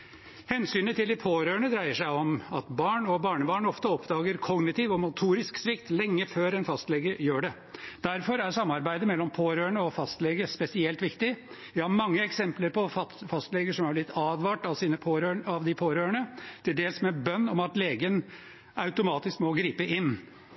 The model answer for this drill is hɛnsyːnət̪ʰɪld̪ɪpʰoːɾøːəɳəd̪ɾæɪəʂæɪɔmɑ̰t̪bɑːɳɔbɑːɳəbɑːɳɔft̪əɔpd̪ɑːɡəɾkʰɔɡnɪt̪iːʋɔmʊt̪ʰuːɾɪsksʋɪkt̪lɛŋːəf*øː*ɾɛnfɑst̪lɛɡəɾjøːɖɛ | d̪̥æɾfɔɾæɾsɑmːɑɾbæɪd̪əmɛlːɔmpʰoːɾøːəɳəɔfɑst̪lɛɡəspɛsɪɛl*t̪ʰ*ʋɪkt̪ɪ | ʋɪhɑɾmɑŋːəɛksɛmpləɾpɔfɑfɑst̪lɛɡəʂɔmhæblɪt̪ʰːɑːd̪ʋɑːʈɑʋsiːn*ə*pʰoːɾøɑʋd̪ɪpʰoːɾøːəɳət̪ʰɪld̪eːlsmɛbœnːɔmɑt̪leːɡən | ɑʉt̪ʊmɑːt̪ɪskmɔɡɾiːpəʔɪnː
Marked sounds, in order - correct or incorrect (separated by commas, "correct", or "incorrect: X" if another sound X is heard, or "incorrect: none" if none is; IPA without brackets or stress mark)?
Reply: correct, incorrect: t̪, correct